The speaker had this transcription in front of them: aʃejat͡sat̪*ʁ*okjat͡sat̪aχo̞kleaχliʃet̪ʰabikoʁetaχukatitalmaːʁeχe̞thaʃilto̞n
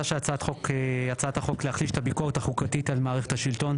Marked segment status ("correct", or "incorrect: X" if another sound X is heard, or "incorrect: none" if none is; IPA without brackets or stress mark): incorrect: χ